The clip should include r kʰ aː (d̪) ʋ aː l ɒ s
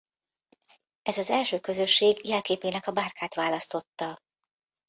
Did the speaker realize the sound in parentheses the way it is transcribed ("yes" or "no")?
no